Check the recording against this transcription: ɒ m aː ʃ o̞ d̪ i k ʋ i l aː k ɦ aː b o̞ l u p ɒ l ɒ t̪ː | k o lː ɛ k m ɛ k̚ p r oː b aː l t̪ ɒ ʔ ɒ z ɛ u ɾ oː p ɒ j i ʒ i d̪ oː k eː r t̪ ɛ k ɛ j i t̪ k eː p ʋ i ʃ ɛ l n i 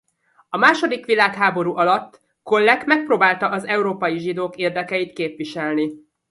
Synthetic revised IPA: ɒ m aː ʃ o̞ d̪ i k ʋ i l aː k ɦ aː b o̞ ɾ u ʔ ɒ l ɒ t̪ː | k o lː ɛ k m ɛ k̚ p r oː b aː l t̪ ɒ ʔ ɒ z ɛ u ɾ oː p ɒ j i ʒ i d̪ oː k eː r d̪ ɛ k ɛ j i t̪ k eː p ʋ i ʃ ɛ l n i